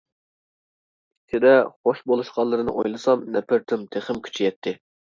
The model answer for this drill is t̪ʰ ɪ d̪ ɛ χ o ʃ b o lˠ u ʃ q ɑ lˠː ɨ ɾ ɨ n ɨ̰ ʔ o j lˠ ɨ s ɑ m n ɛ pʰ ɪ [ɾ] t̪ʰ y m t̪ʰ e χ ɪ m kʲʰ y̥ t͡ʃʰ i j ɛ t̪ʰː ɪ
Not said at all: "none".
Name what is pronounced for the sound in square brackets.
ɾ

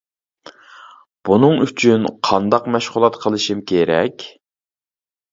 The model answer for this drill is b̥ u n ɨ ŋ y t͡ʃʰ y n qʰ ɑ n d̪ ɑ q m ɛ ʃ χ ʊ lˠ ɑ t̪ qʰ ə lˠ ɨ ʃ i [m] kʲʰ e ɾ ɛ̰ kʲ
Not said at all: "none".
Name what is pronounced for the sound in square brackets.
m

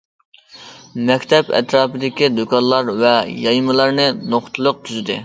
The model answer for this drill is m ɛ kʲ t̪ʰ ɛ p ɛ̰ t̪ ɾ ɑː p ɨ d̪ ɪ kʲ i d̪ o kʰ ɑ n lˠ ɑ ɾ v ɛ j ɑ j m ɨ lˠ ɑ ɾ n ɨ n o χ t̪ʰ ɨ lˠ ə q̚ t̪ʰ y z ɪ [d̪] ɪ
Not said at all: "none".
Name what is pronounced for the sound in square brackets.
d̪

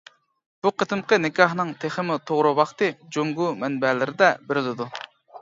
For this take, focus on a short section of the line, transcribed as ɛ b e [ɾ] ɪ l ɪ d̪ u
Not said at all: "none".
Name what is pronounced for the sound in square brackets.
ɾ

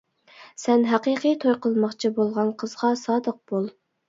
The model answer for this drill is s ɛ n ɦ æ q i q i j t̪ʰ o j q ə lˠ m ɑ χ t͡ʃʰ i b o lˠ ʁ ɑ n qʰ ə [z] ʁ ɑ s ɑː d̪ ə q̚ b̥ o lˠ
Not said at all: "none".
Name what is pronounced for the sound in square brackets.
z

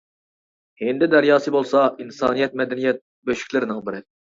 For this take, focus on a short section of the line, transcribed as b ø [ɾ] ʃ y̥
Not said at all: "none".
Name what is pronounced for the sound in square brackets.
none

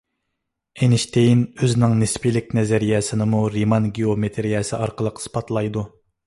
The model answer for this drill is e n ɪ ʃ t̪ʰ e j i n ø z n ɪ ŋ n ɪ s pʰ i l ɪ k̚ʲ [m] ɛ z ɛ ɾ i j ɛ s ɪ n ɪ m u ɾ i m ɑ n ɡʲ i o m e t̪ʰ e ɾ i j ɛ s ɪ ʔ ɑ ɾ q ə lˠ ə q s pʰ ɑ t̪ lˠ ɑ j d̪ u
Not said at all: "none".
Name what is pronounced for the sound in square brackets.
n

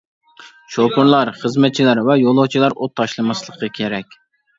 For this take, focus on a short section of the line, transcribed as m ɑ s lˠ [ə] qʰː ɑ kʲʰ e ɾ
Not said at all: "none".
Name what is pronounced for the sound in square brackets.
ə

